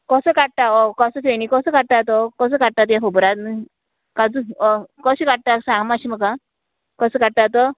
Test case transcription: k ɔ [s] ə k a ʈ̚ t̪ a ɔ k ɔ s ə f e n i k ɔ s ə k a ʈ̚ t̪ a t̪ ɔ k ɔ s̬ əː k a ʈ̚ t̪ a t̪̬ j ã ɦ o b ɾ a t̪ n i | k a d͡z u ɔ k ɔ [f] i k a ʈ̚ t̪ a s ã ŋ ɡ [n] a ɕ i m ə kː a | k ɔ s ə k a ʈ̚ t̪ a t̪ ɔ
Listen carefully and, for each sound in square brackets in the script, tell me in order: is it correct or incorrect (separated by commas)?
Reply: correct, incorrect, incorrect